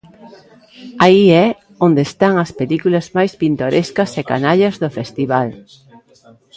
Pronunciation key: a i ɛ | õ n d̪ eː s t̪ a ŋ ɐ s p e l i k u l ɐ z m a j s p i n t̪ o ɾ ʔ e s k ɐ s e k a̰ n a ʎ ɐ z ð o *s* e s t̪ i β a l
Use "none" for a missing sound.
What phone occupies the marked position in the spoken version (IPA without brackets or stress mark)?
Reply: f